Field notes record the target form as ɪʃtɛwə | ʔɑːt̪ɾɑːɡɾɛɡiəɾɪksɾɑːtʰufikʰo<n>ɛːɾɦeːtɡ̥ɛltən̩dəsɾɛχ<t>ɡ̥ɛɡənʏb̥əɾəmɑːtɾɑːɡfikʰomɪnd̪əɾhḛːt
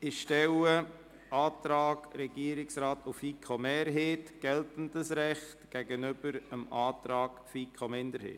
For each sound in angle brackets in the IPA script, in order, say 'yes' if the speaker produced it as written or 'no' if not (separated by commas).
no, yes